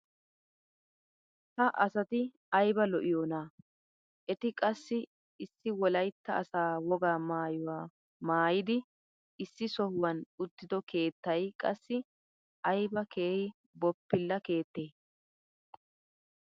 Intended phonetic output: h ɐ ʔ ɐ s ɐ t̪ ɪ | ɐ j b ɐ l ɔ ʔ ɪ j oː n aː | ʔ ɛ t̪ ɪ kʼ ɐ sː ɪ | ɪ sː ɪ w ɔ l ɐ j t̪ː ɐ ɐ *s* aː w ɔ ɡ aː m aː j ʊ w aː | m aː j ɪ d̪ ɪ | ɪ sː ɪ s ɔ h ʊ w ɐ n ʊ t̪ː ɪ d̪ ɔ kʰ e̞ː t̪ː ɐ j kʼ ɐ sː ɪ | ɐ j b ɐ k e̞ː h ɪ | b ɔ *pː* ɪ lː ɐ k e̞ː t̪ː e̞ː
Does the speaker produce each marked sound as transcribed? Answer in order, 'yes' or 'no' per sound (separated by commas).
yes, yes